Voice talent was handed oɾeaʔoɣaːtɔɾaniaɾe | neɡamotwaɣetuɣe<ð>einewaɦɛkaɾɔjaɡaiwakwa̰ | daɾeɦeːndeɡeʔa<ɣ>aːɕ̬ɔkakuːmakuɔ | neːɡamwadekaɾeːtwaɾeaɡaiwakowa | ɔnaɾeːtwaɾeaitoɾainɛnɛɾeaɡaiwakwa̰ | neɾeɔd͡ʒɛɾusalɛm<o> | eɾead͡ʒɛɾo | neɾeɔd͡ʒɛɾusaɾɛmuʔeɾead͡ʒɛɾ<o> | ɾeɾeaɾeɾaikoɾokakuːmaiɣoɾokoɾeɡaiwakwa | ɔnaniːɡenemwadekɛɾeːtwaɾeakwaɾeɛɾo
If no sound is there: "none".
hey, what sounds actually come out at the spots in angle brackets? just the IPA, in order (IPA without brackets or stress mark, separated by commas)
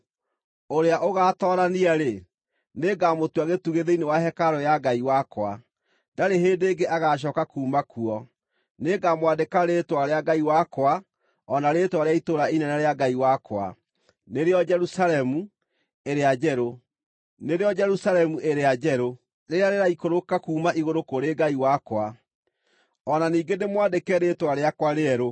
ð, ɣ, u, o